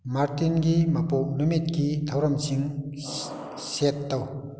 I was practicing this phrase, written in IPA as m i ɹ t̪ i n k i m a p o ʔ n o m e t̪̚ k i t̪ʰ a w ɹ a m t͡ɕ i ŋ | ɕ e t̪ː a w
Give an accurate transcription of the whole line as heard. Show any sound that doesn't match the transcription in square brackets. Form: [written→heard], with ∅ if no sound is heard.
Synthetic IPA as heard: m [i→a] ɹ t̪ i n k i m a p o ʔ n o m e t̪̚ k i t̪ʰ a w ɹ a m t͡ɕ i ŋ | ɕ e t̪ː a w